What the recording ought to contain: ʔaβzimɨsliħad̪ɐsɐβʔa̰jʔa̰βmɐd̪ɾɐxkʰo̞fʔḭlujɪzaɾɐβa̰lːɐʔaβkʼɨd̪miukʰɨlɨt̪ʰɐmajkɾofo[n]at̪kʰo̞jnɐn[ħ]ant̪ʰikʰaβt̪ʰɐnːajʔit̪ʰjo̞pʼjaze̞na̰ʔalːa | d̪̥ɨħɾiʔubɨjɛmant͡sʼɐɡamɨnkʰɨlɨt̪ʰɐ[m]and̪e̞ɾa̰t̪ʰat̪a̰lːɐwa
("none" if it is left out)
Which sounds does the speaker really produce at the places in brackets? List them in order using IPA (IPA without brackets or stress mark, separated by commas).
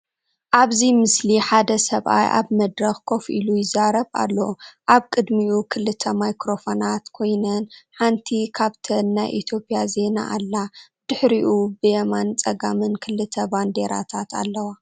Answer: n, ħ, b